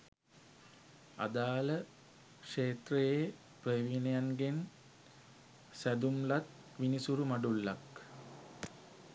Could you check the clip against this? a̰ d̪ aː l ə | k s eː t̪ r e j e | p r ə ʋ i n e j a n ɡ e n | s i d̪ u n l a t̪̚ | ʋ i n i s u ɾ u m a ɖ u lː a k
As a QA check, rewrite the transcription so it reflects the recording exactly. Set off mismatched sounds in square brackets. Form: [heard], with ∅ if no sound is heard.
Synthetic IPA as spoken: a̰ d̪ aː l ə | k [ʂ] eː t̪ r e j e | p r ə ʋ i n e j a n ɡ e n | s [æ] d̪ u [m] l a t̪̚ | ʋ i n i s u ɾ u m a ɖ u lː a k